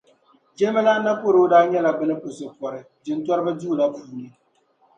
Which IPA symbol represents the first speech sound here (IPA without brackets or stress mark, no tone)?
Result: d͡ʒ